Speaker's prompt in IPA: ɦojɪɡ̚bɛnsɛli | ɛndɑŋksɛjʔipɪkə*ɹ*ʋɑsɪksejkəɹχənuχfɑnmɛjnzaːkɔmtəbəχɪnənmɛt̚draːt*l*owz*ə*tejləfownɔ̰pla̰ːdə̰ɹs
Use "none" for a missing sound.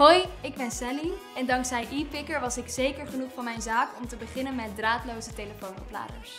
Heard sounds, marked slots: ɹ, l, ə

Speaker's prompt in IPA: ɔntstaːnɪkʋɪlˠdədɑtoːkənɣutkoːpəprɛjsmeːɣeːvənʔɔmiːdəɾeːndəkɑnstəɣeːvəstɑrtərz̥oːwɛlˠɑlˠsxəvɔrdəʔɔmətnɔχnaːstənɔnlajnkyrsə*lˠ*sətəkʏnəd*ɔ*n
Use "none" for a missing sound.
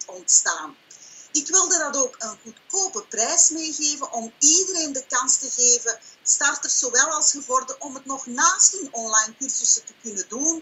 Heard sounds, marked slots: none, u

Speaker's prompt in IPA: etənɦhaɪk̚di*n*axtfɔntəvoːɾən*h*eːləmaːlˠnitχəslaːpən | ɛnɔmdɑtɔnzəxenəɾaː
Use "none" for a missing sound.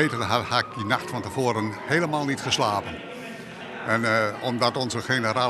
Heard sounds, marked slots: n, h

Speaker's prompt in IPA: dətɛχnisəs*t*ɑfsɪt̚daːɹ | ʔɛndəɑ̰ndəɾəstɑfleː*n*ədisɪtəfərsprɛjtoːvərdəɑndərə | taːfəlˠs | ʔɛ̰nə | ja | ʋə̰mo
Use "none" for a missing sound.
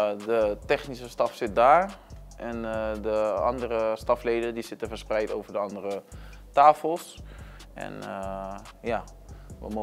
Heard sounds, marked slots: t, d

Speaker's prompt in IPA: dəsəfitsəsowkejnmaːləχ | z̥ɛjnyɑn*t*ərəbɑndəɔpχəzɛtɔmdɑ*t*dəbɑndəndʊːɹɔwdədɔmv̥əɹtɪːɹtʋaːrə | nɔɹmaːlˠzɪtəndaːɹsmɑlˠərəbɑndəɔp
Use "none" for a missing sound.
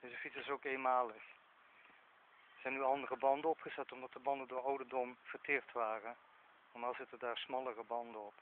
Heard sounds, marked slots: d, t

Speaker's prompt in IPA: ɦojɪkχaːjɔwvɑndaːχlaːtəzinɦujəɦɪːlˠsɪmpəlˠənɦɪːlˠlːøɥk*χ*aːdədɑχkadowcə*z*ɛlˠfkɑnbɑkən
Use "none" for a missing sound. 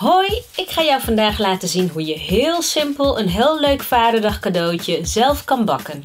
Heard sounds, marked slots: f, z

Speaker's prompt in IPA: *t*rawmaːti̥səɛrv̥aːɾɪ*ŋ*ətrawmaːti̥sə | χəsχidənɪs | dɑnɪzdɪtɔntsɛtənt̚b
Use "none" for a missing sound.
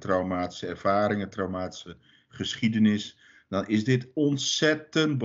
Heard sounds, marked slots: t, ŋ

